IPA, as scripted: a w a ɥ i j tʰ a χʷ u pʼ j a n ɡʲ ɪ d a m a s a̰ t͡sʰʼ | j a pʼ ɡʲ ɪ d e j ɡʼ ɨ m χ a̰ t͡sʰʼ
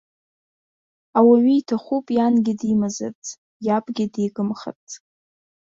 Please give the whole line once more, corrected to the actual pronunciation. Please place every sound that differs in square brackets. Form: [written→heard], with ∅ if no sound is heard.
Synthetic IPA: a w a ɥ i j tʰ a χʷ u pʼ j a n ɡʲ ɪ d [a→i] m a [s→z] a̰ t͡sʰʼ | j a pʼ ɡʲ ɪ d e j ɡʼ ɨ m χ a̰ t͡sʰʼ